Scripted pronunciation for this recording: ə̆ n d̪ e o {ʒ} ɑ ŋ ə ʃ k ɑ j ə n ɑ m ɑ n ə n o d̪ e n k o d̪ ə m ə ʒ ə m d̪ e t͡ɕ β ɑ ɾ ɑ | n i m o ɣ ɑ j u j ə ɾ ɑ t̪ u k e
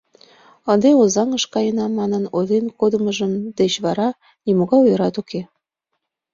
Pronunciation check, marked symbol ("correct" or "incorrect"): incorrect